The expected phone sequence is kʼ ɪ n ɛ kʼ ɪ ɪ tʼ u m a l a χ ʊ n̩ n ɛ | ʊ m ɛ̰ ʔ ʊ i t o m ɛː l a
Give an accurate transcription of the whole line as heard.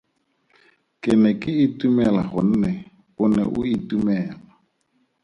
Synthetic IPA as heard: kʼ ɪ n ɛ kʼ ɪ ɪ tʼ u m ɛ l a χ ʊ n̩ n ɛ | ʊ n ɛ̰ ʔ ʊ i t u m ɛː l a